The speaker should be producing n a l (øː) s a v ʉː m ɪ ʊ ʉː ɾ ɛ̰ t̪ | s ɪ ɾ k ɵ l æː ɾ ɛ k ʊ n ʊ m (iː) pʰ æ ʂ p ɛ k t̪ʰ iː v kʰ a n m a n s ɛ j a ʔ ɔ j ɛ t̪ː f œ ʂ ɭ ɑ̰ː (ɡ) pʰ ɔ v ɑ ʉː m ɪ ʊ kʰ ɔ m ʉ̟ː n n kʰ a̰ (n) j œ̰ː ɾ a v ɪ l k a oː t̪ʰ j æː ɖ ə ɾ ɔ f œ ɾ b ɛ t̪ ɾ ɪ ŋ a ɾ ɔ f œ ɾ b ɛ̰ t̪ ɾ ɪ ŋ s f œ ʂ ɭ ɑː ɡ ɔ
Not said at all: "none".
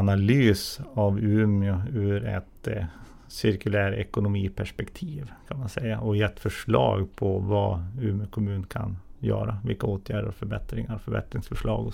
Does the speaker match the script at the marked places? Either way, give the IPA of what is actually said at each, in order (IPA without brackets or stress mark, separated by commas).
yː, iː, ɡ, n